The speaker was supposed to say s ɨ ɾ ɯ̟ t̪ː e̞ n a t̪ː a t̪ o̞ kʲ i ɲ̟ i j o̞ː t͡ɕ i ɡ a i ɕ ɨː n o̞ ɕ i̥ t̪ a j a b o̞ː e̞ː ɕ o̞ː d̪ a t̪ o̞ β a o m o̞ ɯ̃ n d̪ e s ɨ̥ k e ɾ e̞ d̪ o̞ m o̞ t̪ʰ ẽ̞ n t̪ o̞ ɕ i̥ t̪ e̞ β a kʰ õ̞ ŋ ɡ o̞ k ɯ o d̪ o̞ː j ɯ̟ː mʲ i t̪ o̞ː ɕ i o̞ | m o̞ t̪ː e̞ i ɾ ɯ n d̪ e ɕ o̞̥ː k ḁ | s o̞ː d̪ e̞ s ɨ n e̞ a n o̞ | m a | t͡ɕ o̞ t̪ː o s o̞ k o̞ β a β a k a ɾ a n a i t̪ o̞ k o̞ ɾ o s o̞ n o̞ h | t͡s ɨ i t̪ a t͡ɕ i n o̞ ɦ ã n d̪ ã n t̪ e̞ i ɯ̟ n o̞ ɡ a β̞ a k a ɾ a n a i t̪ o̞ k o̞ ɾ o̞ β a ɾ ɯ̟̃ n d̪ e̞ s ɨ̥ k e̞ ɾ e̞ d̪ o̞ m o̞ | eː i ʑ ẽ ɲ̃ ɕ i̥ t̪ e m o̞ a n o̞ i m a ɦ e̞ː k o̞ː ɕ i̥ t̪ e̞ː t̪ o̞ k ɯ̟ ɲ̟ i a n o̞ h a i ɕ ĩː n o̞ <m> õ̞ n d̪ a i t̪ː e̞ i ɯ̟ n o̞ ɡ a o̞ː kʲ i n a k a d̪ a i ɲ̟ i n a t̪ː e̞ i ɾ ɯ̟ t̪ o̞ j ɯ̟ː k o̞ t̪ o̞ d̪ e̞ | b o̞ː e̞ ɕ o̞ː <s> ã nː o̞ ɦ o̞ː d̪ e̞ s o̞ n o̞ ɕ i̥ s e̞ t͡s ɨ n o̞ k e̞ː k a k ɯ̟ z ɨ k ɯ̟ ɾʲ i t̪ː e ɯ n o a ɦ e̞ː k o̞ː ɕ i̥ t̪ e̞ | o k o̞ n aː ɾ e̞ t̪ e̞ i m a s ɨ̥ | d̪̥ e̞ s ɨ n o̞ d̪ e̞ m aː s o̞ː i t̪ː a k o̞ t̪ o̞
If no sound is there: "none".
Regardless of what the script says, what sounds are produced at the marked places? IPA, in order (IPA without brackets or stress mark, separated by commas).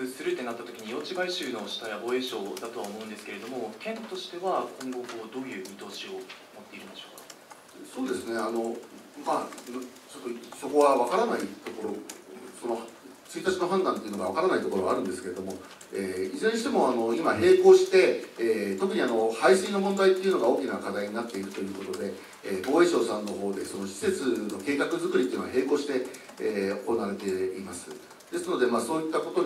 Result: m, s